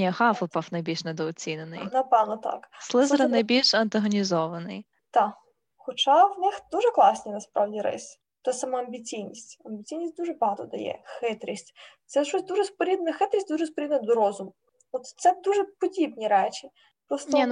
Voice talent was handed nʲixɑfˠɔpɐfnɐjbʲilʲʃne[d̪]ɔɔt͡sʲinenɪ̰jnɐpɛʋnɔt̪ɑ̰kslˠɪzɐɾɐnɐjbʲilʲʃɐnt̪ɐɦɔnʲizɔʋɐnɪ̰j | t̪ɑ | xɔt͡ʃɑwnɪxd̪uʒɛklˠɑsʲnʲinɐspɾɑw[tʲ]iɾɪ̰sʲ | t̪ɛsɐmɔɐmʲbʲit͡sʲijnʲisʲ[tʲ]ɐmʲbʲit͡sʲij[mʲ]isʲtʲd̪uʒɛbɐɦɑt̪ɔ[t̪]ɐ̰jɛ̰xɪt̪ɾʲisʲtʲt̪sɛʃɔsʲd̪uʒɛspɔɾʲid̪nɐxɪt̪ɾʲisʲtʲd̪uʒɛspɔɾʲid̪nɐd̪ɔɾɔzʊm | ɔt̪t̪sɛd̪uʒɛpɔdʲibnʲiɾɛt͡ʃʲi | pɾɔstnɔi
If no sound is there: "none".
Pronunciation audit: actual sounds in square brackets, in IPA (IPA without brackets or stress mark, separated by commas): d̪, dʲ, tʲ, nʲ, d̪